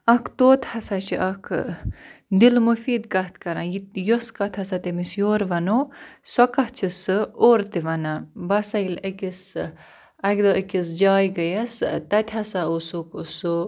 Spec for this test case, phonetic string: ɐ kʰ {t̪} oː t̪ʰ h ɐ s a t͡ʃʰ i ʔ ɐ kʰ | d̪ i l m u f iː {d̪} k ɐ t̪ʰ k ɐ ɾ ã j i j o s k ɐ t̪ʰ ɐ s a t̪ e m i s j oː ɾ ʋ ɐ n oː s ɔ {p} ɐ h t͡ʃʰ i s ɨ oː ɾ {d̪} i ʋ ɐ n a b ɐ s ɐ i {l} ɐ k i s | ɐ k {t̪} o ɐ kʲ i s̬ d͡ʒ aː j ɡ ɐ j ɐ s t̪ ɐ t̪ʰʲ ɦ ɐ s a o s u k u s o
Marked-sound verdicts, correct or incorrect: correct, correct, incorrect: k, incorrect: t̪, correct, incorrect: d̪

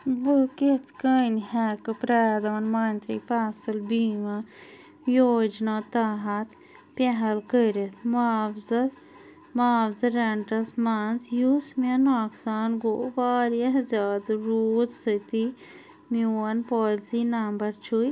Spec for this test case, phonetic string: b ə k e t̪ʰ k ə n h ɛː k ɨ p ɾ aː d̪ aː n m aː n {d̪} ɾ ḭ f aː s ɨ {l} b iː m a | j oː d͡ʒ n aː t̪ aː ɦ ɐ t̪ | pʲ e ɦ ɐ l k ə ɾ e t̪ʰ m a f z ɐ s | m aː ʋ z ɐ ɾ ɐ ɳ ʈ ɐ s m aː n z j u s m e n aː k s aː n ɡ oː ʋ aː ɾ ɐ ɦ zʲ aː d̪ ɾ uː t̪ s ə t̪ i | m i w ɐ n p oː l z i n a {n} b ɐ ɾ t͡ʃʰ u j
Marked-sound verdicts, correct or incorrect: incorrect: t̪, correct, incorrect: m

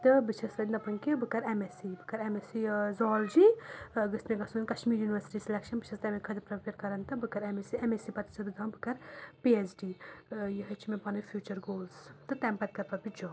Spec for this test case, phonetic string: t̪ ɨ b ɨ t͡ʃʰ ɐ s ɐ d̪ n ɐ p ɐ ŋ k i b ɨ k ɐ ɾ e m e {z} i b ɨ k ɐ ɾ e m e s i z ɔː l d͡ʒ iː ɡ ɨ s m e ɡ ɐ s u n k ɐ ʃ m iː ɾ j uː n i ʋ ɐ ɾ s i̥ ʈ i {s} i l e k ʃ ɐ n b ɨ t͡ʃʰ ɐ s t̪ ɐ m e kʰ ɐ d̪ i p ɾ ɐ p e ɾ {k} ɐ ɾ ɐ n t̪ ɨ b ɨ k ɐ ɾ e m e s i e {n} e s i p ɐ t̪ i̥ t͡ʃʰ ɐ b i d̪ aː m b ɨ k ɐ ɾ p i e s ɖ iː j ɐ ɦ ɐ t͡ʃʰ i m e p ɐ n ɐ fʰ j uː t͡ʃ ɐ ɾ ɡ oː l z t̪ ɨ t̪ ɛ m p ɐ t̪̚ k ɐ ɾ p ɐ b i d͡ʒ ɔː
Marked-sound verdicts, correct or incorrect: incorrect: s, correct, correct, incorrect: m

